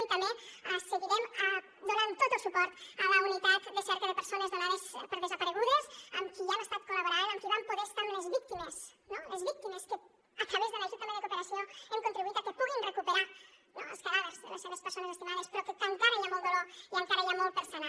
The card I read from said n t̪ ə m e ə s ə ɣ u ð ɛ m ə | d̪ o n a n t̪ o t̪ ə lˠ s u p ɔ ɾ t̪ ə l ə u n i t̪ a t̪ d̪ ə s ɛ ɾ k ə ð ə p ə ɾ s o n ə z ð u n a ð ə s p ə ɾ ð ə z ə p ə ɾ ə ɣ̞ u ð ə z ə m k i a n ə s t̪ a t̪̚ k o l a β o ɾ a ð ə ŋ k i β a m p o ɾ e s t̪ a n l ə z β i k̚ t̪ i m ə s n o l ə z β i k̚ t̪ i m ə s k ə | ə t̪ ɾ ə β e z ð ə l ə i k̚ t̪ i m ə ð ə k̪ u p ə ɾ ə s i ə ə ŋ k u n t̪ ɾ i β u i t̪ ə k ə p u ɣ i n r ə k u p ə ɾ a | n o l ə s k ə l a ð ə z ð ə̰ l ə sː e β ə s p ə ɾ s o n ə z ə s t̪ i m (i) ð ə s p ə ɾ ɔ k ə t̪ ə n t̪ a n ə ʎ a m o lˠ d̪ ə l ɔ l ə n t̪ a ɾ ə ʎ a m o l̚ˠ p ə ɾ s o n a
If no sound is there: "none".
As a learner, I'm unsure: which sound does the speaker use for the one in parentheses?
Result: a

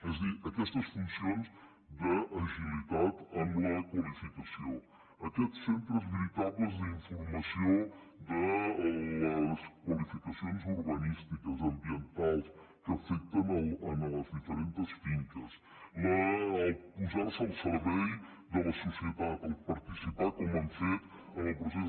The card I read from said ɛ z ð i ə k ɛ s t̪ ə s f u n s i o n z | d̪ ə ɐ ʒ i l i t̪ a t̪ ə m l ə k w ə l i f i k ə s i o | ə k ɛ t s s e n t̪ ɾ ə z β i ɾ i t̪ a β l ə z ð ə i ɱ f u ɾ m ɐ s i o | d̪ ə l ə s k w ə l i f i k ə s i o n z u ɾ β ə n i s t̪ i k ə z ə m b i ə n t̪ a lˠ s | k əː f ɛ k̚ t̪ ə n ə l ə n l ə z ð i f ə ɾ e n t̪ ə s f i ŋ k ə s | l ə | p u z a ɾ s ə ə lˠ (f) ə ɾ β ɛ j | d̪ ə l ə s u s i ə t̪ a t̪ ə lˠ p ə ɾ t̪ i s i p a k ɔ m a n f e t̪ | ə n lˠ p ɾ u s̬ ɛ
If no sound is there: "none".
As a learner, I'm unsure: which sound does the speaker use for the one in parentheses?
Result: s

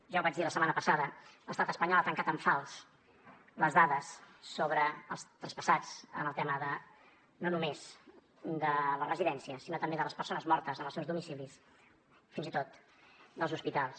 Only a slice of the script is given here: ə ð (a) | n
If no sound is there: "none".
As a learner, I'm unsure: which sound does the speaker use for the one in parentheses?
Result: ə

